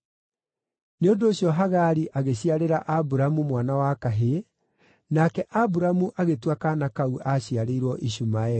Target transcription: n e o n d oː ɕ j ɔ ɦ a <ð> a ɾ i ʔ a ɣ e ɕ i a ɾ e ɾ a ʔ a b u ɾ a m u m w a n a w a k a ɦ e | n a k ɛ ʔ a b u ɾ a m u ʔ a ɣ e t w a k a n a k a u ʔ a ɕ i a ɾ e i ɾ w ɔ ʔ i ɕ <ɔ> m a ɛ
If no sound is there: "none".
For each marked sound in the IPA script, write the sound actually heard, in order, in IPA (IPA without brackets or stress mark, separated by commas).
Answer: ɣ, u